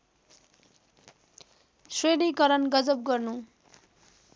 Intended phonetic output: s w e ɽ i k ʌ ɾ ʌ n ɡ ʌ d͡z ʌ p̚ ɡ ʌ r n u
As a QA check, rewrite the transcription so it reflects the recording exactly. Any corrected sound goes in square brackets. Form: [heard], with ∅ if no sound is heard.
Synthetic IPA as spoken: s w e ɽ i k ʌ ɾ ʌ n ɡ ʌ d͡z ʌ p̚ ɡ ʌ r n u